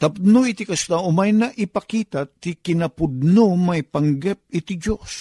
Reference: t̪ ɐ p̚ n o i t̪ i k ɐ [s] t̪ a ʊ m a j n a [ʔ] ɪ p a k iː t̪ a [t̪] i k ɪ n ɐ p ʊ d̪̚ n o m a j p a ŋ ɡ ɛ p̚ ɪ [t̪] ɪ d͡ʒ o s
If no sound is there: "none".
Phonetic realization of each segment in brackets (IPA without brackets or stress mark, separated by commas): s, ʔ, t̪, t̪